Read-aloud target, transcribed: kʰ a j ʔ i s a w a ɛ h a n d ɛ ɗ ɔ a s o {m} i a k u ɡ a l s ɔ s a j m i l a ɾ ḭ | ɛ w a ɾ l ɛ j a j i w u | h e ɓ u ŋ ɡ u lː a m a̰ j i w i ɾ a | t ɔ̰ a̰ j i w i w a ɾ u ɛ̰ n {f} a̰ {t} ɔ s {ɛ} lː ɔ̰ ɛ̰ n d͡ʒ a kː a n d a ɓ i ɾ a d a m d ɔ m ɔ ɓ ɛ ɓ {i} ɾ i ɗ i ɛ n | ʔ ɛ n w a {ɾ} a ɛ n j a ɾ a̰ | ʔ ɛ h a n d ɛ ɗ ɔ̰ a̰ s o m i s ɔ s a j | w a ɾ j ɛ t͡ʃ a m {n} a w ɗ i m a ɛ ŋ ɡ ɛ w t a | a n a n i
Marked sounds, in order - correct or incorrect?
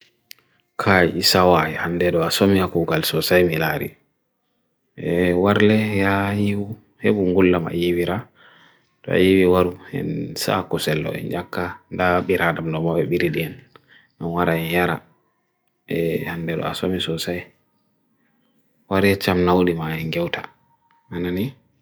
correct, incorrect, incorrect, correct, correct, correct, correct

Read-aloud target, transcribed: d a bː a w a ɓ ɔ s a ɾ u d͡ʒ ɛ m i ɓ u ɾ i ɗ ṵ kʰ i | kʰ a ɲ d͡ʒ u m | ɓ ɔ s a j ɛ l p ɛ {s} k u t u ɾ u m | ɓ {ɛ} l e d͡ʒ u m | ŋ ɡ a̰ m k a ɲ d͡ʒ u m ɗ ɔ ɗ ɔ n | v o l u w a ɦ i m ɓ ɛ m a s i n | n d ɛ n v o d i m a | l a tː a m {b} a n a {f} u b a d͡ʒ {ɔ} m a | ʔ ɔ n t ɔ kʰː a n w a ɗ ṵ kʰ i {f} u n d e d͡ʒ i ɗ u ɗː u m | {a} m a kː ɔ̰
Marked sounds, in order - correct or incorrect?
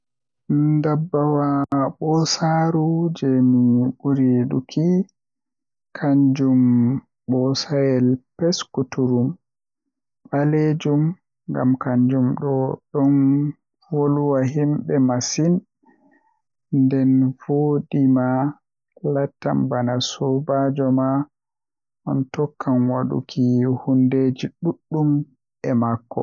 correct, incorrect, correct, incorrect, correct, incorrect, incorrect

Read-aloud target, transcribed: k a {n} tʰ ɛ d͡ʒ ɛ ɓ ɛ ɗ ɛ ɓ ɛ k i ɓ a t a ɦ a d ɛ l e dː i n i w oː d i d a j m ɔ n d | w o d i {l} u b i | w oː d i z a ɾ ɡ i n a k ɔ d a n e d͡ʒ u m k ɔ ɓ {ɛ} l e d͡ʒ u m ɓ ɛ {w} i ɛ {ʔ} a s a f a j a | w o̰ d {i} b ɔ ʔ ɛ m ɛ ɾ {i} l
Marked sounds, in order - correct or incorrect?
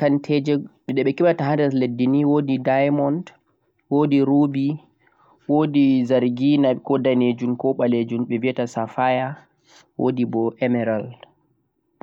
correct, incorrect, incorrect, incorrect, incorrect, correct, incorrect

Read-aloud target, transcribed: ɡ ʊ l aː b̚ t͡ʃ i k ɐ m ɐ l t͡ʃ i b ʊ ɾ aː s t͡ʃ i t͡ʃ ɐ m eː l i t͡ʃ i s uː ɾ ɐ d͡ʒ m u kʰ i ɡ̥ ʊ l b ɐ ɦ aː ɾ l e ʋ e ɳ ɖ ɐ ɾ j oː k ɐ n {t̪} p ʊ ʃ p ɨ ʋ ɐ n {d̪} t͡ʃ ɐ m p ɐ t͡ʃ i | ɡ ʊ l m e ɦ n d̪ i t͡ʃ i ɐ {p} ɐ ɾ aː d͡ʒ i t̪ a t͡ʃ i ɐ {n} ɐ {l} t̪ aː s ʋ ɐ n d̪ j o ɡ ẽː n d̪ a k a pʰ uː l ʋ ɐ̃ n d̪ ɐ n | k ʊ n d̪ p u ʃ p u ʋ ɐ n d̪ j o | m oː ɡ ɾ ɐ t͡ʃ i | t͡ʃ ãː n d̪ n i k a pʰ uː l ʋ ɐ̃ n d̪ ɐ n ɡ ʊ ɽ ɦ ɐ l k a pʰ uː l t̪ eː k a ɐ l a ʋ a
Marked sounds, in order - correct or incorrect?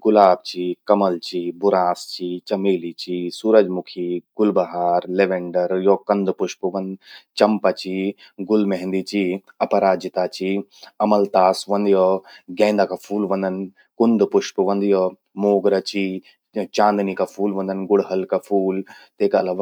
incorrect, correct, correct, incorrect, correct

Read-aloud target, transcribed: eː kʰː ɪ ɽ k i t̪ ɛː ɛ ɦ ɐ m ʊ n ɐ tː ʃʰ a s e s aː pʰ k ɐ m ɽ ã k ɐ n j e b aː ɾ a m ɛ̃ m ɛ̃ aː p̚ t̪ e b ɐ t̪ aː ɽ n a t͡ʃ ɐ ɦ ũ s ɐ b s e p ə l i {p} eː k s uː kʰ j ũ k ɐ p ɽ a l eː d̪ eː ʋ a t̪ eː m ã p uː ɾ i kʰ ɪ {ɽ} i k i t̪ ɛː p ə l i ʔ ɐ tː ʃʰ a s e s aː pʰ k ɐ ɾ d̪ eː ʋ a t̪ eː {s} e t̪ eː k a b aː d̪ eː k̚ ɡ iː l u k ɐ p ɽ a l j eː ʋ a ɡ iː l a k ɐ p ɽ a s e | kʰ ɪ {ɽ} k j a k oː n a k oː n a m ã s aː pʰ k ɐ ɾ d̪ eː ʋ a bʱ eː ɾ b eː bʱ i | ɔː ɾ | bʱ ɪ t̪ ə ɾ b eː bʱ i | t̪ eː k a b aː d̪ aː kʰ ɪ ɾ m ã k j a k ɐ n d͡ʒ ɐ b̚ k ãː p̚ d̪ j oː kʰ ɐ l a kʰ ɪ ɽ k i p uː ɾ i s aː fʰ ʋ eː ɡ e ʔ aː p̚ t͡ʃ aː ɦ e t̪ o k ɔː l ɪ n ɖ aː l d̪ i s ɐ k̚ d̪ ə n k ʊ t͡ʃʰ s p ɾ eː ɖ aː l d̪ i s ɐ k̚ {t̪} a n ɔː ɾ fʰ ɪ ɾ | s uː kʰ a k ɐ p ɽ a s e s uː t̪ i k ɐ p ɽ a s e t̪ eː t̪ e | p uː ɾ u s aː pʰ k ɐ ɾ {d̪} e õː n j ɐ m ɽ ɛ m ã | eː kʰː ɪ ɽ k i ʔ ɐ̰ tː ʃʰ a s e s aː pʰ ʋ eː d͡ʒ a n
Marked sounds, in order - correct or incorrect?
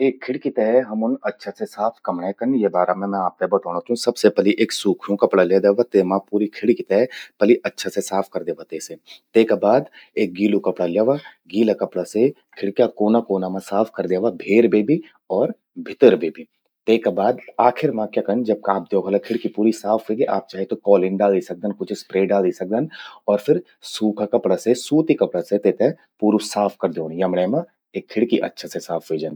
incorrect, correct, correct, correct, incorrect, correct

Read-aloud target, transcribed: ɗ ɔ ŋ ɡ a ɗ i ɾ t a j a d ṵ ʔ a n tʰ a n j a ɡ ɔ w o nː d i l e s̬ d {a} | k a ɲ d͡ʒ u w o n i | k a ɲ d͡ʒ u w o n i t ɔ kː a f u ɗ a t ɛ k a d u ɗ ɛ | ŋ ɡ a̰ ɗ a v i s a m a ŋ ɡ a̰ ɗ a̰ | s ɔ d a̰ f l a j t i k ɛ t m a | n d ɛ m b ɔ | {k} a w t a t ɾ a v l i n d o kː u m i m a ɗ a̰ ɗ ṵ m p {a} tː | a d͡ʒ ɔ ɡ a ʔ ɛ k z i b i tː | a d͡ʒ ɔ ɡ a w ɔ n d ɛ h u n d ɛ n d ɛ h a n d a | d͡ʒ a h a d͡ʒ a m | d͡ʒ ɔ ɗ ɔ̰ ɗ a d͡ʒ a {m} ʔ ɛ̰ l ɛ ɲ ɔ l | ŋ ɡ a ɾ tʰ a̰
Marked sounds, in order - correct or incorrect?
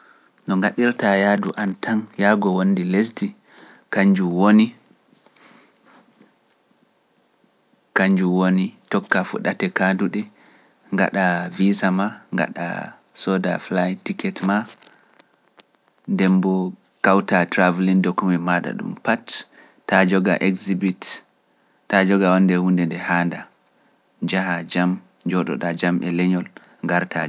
incorrect, correct, correct, correct

